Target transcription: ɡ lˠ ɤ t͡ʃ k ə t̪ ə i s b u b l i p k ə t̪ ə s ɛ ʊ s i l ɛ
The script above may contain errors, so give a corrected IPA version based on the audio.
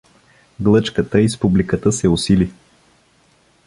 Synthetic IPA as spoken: ɡ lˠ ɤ t͡ʃ k ə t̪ ə i s p u b l i k ə t̪ ə s ɛ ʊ s i l i